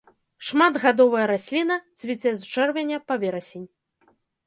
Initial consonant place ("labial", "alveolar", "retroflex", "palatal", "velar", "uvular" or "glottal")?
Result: retroflex